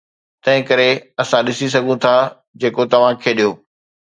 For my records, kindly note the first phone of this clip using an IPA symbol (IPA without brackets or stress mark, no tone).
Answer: t̪